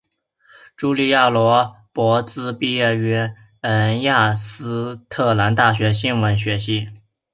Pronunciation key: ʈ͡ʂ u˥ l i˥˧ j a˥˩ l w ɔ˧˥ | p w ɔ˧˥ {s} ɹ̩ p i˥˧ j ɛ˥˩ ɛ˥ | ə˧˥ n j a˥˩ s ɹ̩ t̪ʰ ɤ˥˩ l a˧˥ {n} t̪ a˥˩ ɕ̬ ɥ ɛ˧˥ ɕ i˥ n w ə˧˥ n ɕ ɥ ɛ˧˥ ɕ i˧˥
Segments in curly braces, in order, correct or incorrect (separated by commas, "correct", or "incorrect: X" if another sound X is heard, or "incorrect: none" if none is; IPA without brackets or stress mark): incorrect: t͡s, correct